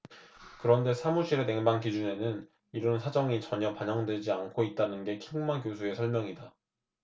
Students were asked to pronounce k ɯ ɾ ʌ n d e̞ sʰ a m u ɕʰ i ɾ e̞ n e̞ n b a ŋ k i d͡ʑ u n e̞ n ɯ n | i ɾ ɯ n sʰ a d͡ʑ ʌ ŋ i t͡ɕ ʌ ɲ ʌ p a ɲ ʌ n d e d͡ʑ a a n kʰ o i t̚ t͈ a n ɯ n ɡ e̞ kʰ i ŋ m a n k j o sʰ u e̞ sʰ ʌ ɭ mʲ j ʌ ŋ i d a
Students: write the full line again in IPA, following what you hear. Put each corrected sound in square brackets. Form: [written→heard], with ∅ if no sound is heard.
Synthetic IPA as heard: k ɯ ɾ ʌ n d e̞ sʰ a m u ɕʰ i ɾ e̞ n e̞ [n→ŋ] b a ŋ k i d͡ʑ u n e̞ n ɯ n | i ɾ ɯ n sʰ a d͡ʑ ʌ ŋ i t͡ɕ ʌ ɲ ʌ p a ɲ ʌ [n→ŋ] d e d͡ʑ [a→i] a n kʰ o i t̚ t͈ a n ɯ n ɡ e̞ kʰ i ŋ m a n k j o sʰ u e̞ sʰ ʌ ɭ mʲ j ʌ ŋ i d a

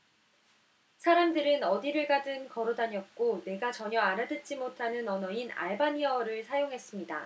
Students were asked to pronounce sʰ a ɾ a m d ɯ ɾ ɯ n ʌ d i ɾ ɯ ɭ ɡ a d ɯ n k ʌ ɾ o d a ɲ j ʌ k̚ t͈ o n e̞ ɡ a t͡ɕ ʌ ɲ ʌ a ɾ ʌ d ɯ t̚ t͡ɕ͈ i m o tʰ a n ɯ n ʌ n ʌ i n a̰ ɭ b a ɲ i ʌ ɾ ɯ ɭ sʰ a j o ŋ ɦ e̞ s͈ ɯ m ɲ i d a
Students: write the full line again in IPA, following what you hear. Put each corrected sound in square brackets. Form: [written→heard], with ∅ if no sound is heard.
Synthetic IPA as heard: sʰ a ɾ a m d ɯ ɾ ɯ n ʌ d i ɾ ɯ ɭ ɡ a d ɯ n k ʌ ɾ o d a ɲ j ʌ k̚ [t͈→k͈] o n e̞ ɡ a t͡ɕ ʌ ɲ ʌ a ɾ [ʌ→a] d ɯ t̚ t͡ɕ͈ i m o tʰ a n ɯ n ʌ n ʌ i n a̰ ɭ b a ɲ i ʌ ɾ ɯ ɭ sʰ a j o ŋ ɦ e̞ s͈ ɯ m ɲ i d a

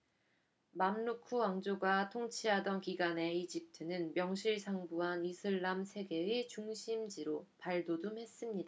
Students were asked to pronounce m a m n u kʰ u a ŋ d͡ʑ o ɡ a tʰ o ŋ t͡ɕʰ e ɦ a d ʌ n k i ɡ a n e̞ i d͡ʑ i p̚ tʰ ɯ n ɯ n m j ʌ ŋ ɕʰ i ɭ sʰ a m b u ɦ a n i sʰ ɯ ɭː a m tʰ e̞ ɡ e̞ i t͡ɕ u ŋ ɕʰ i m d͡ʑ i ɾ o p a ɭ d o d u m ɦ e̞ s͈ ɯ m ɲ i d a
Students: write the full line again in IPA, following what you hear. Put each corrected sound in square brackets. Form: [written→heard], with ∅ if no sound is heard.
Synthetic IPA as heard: m a m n u kʰ u a ŋ d͡ʑ o ɡ a tʰ o ŋ t͡ɕʰ [e→i] ɦ a d ʌ n k i ɡ a n e̞ i d͡ʑ i p̚ tʰ ɯ n ɯ n m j ʌ ŋ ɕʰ i ɭ sʰ a [m→ŋ] b u ɦ a n i sʰ ɯ ɭː a m [tʰ→sʰ] e̞ ɡ e̞ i t͡ɕ u ŋ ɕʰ i m d͡ʑ i ɾ o p a ɭ d o d u m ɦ e̞ s͈ ɯ m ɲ i d a

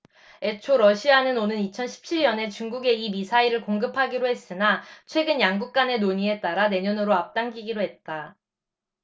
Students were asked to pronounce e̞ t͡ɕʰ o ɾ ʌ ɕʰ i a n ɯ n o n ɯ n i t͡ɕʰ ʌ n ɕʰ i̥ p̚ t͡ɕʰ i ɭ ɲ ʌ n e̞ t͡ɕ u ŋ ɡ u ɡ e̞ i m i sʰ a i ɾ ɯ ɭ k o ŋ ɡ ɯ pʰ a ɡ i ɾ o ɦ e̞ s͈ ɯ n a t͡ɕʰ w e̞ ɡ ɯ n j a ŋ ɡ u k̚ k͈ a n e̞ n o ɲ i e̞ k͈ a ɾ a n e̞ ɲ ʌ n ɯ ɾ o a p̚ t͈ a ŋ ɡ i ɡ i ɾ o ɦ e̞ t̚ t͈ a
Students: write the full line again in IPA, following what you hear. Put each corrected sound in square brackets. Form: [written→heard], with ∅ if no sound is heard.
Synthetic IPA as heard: e̞ t͡ɕʰ o ɾ ʌ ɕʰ i a n ɯ n o n ɯ n i t͡ɕʰ ʌ n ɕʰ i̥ p̚ t͡ɕʰ i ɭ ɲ ʌ n e̞ t͡ɕ u ŋ ɡ u ɡ e̞ i m i sʰ a i ɾ ɯ ɭ k o ŋ ɡ ɯ pʰ a ɡ i ɾ o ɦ e̞ s͈ ɯ n a t͡ɕʰ w e̞ ɡ ɯ n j a ŋ ɡ u k̚ k͈ a n e̞ n o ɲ i e̞ [k͈→t͈] a ɾ a n e̞ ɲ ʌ n ɯ ɾ o a p̚ t͈ a ŋ ɡ i ɡ i ɾ o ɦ e̞ t̚ t͈ a

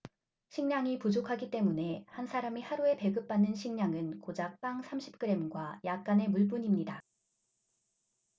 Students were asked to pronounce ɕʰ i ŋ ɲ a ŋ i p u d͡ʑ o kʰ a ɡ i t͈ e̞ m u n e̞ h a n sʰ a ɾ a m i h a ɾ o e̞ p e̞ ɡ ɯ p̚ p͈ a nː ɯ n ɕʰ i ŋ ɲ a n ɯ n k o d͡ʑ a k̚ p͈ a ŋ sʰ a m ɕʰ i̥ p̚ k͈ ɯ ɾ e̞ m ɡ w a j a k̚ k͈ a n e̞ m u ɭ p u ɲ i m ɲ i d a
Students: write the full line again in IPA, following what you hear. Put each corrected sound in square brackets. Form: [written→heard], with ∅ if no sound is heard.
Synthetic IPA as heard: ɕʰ i ŋ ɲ a ŋ i p u d͡ʑ o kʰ a ɡ i t͈ e̞ m u n e̞ h a n sʰ a ɾ a m i h a ɾ [o→u] e̞ p e̞ ɡ ɯ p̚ p͈ a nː ɯ n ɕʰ i ŋ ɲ a [n→ŋ] ɯ n k o d͡ʑ a k̚ p͈ a ŋ sʰ a m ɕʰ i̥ p̚ k͈ ɯ ɾ e̞ m ɡ w a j a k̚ k͈ a n e̞ m u ɭ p u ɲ i m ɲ i d a

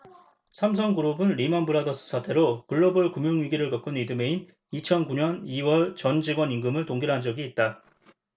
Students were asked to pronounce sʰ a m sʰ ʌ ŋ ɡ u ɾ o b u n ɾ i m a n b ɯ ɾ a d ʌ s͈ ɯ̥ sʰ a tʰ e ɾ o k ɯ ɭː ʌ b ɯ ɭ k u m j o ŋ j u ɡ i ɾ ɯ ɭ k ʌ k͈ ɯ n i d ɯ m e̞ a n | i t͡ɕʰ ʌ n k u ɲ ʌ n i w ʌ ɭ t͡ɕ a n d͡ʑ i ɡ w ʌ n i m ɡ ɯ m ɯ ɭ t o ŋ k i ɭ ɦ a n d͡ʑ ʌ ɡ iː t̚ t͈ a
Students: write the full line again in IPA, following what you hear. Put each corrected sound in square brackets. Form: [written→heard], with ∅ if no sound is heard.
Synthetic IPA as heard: sʰ a m sʰ ʌ ŋ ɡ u ɾ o b [u→ɯ] n ɾ i m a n b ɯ ɾ a d ʌ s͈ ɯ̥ sʰ a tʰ e ɾ o k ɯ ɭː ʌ b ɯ ɭ k u m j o ŋ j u ɡ i ɾ ɯ ɭ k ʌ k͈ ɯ n i d ɯ m e̞ [a→i] n | i t͡ɕʰ ʌ n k u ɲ ʌ n i w ʌ ɭ t͡ɕ [a→ʌ] n d͡ʑ i ɡ w ʌ n i [m→ŋ] ɡ ɯ m ɯ ɭ t o ŋ [k→ɡ] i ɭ ɦ a n d͡ʑ ʌ ɡ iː t̚ t͈ a

